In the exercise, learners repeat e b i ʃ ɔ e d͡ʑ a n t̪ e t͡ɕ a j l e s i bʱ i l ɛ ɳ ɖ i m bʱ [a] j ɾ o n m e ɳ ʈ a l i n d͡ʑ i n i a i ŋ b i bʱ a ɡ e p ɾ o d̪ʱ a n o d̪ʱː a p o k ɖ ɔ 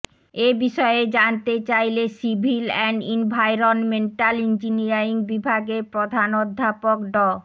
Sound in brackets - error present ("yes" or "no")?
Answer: no